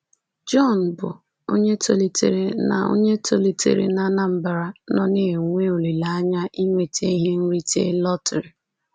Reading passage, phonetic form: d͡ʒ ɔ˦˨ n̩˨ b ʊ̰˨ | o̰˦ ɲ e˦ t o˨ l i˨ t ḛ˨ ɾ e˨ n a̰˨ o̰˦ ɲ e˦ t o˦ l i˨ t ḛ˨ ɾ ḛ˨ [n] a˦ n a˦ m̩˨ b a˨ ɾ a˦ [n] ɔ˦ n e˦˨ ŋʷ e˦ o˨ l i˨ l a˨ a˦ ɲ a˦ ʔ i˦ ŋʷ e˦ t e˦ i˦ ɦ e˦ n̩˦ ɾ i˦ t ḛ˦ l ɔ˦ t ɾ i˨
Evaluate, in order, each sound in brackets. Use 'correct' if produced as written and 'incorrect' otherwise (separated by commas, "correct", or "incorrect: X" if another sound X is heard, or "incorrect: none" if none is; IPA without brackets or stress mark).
correct, correct